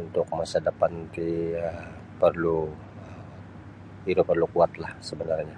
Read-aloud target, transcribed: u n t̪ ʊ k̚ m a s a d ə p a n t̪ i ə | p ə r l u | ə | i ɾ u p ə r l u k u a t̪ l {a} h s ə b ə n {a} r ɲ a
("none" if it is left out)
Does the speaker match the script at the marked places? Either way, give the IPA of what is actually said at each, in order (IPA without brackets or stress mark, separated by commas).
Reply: a, a